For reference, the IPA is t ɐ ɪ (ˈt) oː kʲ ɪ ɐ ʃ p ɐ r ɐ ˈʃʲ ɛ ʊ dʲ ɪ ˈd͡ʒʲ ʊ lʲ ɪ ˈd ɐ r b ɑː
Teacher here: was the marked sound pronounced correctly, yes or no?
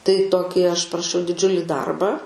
yes